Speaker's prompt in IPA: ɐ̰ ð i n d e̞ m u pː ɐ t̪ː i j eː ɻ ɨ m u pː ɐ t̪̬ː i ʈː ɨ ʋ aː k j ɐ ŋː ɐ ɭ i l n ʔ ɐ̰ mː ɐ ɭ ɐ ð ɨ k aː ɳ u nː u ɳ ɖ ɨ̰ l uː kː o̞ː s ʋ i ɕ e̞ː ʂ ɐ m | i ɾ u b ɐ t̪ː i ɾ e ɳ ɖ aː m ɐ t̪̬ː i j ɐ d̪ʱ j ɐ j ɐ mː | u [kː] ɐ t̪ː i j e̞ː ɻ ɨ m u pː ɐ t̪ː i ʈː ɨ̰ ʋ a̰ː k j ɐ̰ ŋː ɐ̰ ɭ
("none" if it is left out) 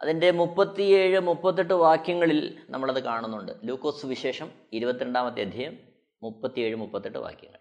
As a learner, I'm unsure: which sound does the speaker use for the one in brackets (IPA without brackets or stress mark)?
pː